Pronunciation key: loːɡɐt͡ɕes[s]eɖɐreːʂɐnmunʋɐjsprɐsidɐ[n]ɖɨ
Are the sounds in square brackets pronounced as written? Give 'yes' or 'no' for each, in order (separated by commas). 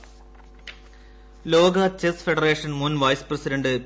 no, no